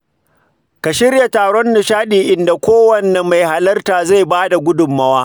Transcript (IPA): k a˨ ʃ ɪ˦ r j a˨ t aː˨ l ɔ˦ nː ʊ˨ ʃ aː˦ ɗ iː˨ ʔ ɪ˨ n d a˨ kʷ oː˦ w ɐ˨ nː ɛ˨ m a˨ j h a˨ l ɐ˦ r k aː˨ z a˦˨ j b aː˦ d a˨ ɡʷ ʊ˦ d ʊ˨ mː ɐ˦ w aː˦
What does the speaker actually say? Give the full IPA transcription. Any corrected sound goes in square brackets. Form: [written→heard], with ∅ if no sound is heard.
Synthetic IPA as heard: k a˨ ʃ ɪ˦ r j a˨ t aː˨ [l→ɽ] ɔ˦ nː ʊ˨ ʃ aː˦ ɗ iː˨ ʔ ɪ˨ n d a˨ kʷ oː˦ w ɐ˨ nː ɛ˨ m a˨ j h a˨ l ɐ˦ r [k→t] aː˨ z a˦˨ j b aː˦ d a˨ ɡʷ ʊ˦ d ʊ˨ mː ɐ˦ w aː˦